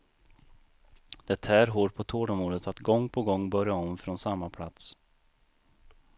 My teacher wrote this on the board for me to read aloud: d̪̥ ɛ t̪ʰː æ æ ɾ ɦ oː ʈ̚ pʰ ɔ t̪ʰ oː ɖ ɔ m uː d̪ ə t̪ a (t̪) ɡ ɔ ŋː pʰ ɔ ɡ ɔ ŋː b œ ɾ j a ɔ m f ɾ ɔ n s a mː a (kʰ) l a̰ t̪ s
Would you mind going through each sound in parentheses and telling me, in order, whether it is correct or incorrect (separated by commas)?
correct, incorrect